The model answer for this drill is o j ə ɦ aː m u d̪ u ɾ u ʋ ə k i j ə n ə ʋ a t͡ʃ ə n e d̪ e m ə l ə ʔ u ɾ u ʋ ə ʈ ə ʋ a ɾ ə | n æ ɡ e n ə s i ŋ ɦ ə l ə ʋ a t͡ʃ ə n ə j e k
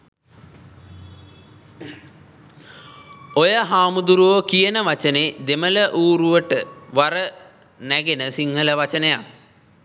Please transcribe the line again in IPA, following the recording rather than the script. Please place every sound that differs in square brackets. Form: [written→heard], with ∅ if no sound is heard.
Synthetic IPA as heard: o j ə ɦ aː m u d̪ u ɾ u ʋ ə k i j ə n ə ʋ a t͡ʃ ə n e d̪ e m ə l ə ʔ [u→uː] ɾ u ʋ ə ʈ ə ʋ a ɾ ə | n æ ɡ e n ə s i ŋ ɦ ə l ə ʋ a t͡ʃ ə n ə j [e→a] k